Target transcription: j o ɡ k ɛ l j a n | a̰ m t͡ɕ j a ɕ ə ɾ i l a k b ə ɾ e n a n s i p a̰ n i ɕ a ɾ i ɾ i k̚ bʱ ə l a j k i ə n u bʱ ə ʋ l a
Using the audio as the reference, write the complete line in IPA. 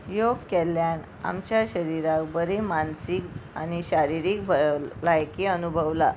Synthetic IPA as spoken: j o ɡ k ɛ l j a n | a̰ m t͡ɕ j a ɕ ə ɾ i ɾ a k b ə ɾ e m a n s i k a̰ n i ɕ a ɾ i ɾ i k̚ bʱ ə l a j k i ə n u bʱ ə ʋ l a